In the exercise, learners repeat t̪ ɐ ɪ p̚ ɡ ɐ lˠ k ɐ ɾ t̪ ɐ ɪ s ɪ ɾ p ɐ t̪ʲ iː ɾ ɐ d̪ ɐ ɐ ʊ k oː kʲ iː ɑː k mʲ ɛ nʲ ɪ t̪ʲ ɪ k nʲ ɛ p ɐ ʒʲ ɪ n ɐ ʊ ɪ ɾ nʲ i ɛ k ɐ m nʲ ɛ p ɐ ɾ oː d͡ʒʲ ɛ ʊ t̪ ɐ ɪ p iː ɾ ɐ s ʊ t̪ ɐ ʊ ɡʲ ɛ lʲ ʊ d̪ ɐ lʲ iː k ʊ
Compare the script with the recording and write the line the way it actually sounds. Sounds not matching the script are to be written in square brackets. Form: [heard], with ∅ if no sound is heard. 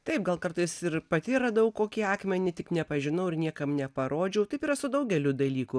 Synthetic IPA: t̪ ɐ ɪ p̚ ɡ ɐ lˠ k ɐ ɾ t̪ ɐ ɪ s ɪ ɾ p ɐ t̪ʲ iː ɾ ɐ d̪ ɐ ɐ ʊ k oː kʲ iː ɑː k mʲ ɛ nʲ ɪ t̪ʲ ɪ k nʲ ɛ p ɐ ʒʲ ɪ n ɐ ʊ ɪ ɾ nʲ i ɛ k ɐ m nʲ ɛ p ɐ ɾ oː d͡ʒʲ ɛ ʊ t̪ ɐ ɪ p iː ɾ ɐ s ʊ [d̪] ɐ ʊ ɡʲ ɛ lʲ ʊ d̪ ɐ lʲ iː k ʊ